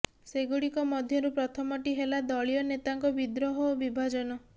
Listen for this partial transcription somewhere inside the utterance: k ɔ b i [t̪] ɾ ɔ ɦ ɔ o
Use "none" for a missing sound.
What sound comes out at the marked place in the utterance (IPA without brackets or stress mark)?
d̪